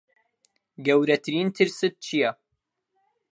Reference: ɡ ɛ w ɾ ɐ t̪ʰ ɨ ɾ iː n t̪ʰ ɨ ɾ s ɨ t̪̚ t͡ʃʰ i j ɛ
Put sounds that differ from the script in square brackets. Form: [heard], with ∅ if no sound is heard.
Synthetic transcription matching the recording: ɡ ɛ w ɾ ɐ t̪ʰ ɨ ɾ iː n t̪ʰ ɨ ɾ s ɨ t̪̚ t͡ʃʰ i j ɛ